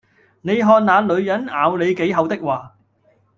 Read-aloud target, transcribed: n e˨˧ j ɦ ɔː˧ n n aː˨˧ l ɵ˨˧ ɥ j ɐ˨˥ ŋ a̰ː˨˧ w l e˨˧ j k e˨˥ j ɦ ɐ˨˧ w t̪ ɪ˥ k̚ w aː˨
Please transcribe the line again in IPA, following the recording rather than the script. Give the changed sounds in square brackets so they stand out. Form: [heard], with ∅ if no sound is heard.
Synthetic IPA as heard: n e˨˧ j ɦ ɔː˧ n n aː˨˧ l ɵ˨˧ ɥ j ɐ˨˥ [n] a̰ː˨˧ w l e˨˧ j k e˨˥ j ɦ ɐ˨˧ w t̪ ɪ˥ k̚ w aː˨